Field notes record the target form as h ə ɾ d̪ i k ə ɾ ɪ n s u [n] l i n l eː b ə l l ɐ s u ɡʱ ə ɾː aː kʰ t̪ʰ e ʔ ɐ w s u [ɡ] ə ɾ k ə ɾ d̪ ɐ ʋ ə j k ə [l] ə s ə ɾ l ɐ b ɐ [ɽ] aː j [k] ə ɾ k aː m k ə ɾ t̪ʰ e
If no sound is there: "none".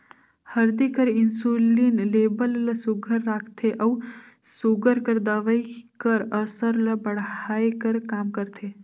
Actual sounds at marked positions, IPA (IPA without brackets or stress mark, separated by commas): none, ɡ, ɾ, ɽ, k